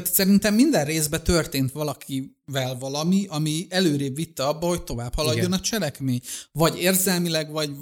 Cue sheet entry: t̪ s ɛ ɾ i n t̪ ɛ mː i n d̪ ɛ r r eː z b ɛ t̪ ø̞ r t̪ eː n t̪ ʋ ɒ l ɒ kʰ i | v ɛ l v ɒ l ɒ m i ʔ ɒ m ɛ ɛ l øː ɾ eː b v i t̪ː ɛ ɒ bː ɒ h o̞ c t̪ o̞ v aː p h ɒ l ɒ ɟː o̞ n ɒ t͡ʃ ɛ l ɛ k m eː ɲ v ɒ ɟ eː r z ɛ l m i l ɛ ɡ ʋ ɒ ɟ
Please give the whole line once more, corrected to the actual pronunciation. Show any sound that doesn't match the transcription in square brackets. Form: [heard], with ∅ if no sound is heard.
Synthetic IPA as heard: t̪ s ɛ ɾ i n t̪ ɛ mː i n d̪ ɛ r r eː z b ɛ t̪ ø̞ r t̪ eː n t̪ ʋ ɒ l ɒ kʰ i | v ɛ l v ɒ l ɒ m i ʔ ɒ m [i] ɛ l øː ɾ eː b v i t̪ː ɛ ɒ bː ɒ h o̞ c t̪ o̞ v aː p h ɒ l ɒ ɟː o̞ n ɒ t͡ʃ ɛ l ɛ k m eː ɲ v ɒ ɟ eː r z ɛ l m i l ɛ ɡ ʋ ɒ ɟ